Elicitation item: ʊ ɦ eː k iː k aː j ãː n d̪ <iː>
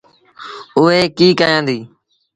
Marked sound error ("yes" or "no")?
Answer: no